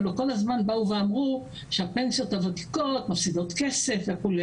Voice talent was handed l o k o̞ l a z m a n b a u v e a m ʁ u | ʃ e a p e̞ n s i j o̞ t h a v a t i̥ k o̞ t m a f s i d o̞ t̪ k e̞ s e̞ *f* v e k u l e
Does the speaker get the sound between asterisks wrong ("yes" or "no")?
no